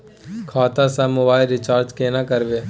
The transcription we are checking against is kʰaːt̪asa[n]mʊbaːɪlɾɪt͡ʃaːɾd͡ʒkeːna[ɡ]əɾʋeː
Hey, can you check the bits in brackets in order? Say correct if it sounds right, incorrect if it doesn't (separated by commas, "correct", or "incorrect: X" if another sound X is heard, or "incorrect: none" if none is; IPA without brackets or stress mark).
incorrect: none, incorrect: k